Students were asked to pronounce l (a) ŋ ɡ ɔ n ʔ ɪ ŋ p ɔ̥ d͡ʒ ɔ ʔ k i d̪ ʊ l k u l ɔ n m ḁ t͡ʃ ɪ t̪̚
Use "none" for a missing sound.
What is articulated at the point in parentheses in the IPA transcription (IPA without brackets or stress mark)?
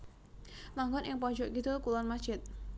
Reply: a